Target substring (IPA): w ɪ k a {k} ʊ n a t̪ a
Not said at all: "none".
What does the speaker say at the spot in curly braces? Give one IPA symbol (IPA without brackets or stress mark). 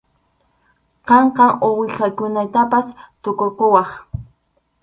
k